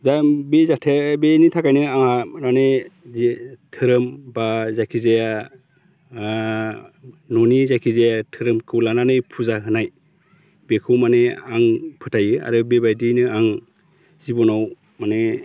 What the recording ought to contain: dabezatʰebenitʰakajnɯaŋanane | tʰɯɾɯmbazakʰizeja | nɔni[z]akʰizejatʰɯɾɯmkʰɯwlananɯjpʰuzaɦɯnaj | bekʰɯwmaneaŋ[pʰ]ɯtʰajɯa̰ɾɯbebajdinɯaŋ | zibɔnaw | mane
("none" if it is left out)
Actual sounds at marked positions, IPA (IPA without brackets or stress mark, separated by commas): z, pʰ